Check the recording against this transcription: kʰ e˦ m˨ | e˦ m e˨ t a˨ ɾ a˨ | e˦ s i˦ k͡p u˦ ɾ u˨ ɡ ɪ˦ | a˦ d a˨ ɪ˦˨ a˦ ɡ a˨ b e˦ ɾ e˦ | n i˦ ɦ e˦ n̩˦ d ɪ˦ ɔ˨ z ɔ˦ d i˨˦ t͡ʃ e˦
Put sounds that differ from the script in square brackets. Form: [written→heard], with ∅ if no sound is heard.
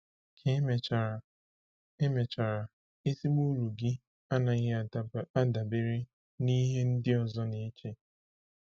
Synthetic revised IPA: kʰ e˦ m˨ | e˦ m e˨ [t→t͡ʃ] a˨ ɾ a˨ | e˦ s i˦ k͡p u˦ ɾ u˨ ɡ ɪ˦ | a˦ [d→n] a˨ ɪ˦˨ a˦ [ɡ→d] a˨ b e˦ ɾ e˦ | n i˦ ɦ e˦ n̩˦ d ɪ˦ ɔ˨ z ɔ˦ [d→n] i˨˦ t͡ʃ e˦